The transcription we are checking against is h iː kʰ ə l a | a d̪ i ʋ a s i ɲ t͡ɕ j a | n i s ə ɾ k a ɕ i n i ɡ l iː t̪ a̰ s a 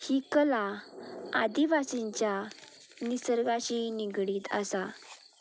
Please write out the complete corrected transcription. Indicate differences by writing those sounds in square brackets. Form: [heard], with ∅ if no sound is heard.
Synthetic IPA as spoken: h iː [k] ə l a | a d̪ i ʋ a s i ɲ t͡ɕ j a | n i s ə ɾ [ɡ] a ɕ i n i ɡ [ɽ] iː t̪ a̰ s a